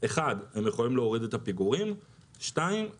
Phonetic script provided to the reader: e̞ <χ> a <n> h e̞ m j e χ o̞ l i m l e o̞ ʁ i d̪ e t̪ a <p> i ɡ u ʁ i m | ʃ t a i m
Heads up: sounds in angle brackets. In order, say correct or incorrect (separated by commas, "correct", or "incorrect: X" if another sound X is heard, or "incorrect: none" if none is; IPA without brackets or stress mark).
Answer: correct, incorrect: d, correct